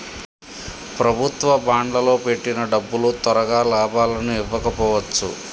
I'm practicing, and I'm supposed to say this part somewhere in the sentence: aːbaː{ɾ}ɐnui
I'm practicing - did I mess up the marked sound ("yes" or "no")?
yes